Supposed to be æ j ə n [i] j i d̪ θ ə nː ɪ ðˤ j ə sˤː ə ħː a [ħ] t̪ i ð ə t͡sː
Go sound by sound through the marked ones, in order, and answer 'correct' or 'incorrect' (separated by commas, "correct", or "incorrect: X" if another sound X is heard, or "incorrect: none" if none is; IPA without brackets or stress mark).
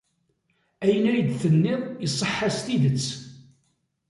incorrect: æ, incorrect: s